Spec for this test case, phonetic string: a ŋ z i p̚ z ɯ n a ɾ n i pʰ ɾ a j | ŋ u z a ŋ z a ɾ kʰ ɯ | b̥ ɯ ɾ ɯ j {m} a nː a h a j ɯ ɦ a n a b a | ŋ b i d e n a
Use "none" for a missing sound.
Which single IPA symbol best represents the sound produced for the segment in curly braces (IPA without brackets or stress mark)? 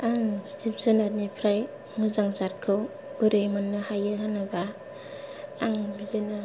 m